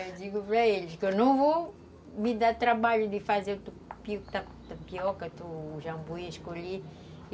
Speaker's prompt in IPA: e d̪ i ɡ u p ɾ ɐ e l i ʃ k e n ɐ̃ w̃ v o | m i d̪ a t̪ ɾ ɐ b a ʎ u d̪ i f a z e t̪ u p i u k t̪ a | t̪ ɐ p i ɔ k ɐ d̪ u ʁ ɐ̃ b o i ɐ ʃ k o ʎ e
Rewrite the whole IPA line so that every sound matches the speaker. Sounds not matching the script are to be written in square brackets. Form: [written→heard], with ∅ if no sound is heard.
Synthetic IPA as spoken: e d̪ i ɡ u p ɾ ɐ e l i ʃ k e n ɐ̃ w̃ v o | m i d̪ a t̪ ɾ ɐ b a ʎ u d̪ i f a z e t̪ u p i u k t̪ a | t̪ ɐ p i ɔ k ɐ [d̪→t̪] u [ʁ→ʒ] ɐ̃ b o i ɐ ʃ k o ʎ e

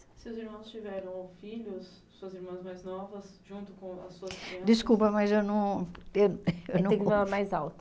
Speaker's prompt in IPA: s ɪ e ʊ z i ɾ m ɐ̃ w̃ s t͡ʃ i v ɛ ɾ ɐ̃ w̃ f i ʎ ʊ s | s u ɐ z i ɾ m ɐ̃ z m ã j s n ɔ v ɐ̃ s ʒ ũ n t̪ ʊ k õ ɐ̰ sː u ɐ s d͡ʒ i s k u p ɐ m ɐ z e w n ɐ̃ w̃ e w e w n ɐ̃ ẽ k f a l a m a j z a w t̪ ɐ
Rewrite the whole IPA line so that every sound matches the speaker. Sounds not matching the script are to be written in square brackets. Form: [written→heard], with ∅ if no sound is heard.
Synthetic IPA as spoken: s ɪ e ʊ z i ɾ m ɐ̃ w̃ s t͡ʃ i v ɛ ɾ ɐ̃ w̃ f i ʎ ʊ s | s u ɐ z i ɾ m ɐ̃ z m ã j [s→z] n ɔ v [ɐ̃→ɐ] s ʒ ũ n t̪ ʊ k õ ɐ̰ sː u ɐ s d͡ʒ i s k u p ɐ m ɐ z e w n ɐ̃ w̃ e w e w n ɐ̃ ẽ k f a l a m a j z a w t̪ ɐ

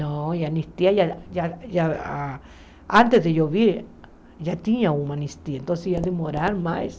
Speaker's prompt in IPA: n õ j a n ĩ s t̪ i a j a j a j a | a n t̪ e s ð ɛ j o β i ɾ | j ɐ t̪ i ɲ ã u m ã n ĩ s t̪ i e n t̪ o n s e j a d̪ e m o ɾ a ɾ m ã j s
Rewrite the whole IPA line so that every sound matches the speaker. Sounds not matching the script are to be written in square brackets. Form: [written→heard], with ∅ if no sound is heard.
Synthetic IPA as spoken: n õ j a n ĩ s t̪ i a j a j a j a | a n t̪ e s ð [ɛ→e] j o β i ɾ | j [ɐ→a] t̪ i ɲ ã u m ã n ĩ s t̪ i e n t̪ o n s e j a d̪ e m o ɾ a ɾ m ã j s

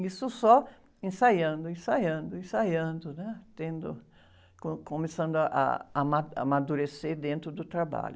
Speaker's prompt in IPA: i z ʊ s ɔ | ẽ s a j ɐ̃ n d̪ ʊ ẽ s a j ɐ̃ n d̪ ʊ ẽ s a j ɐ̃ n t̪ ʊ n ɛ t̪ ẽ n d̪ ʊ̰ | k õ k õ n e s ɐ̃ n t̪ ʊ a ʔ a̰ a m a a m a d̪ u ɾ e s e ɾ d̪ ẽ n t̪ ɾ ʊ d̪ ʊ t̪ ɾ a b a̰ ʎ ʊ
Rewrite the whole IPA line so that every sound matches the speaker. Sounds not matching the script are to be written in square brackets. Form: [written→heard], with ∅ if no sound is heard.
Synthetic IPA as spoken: i [z→s] ʊ s ɔ | ẽ s a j ɐ̃ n d̪ ʊ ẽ s a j ɐ̃ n d̪ ʊ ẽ s a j ɐ̃ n [t̪→d̪] ʊ n ɛ t̪ ẽ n d̪ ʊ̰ | k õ k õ [n→m] e s ɐ̃ n [t̪→d̪] ʊ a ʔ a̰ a m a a m a d̪ u ɾ e s e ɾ d̪ ẽ n t̪ ɾ ʊ d̪ ʊ t̪ ɾ a b a̰ ʎ ʊ

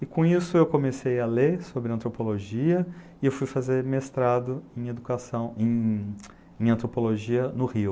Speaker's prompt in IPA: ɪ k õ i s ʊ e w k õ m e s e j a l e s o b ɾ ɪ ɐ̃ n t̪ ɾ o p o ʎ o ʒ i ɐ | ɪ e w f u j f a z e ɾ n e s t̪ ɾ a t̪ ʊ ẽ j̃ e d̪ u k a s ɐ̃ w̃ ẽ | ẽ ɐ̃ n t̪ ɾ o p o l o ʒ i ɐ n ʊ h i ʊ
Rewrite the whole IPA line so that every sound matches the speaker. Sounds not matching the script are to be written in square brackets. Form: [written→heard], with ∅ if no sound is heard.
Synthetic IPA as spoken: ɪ k õ i s ʊ e w k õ m e s e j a l e s o b ɾ ɪ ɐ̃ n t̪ ɾ o p o [ʎ→l] o ʒ i ɐ | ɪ e w f u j f a z e ɾ [n→m] e s t̪ ɾ a [t̪→d̪] ʊ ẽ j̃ e d̪ u k a s ɐ̃ w̃ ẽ | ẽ ɐ̃ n t̪ ɾ o p o l o ʒ i ɐ n ʊ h i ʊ

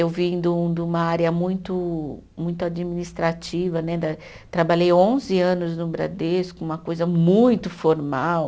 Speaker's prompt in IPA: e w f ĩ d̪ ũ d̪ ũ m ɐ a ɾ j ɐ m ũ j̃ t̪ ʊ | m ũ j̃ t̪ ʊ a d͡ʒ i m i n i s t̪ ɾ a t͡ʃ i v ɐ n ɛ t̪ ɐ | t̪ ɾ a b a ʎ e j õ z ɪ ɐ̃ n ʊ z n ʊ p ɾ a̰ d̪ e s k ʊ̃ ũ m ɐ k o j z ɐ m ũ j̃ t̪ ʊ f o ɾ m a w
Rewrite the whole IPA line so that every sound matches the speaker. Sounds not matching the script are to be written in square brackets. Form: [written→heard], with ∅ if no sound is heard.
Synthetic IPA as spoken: e w [f→v] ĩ d̪ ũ d̪ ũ m ɐ a ɾ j ɐ m ũ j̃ t̪ ʊ | m ũ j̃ t̪ ʊ a d͡ʒ i m i n i s t̪ ɾ a t͡ʃ i v ɐ n ɛ [t̪→d̪] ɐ | t̪ ɾ a b a ʎ e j õ z ɪ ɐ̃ n ʊ z n ʊ [p→b] ɾ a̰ d̪ e s k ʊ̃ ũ m ɐ k o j z ɐ m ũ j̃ t̪ ʊ f o ɾ m a w

